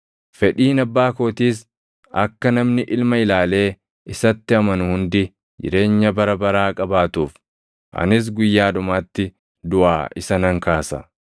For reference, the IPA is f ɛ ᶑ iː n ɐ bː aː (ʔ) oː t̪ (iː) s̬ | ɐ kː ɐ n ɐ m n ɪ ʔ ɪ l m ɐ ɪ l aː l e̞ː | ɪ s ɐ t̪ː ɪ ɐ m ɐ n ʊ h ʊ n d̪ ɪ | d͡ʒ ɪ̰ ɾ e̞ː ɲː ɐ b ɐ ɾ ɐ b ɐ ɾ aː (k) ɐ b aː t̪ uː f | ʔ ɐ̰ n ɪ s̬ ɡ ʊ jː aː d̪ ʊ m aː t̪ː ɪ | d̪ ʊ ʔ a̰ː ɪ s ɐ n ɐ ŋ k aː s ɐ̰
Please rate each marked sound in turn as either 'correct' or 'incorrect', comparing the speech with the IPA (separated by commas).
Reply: incorrect, correct, incorrect